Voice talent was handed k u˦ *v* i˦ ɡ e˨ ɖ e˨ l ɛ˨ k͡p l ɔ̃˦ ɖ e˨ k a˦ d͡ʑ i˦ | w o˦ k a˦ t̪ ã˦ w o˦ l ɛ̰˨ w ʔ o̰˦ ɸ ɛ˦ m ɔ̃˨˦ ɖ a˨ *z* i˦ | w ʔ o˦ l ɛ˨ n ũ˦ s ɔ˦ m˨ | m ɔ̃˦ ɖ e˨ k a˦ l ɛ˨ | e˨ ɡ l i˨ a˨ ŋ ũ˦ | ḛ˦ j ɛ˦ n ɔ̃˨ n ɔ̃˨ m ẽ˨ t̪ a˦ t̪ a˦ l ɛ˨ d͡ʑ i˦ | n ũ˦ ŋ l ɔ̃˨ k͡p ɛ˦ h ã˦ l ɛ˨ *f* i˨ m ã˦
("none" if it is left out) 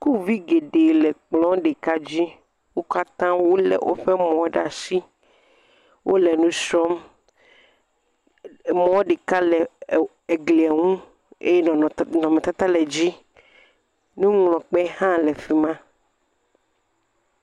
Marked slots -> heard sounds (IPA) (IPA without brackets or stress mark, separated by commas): v, s, f